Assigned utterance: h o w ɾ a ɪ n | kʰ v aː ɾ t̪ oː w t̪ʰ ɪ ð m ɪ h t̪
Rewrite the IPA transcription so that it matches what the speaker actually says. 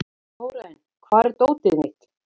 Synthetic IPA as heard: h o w ɾ a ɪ n | kʰ v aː ɾ t̪ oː w t̪ ɪ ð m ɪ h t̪